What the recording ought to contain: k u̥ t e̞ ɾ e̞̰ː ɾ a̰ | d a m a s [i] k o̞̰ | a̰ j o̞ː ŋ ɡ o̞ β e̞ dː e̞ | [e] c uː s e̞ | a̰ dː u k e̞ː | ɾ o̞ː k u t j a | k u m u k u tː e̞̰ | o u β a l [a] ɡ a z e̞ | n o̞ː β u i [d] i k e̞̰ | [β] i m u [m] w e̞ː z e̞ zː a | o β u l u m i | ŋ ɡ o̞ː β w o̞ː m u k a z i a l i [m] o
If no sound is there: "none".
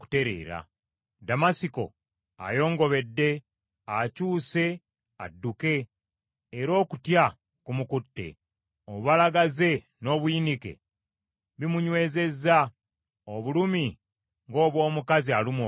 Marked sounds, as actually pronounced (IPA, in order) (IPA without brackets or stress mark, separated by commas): i, a, a, n, β, ɲ, m